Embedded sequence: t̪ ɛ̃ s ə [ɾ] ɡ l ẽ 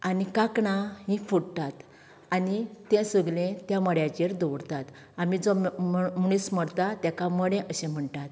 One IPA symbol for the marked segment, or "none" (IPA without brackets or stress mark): none